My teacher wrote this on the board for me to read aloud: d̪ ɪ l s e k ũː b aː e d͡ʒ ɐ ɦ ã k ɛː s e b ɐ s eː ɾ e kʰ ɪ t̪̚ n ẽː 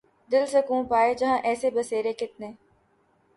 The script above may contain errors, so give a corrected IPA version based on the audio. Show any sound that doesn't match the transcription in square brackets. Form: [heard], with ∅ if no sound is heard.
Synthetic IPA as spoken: d̪ ɪ l s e k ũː [p] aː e d͡ʒ ɐ ɦ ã [ʔ] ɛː s e b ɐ s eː ɾ e [k] ɪ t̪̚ n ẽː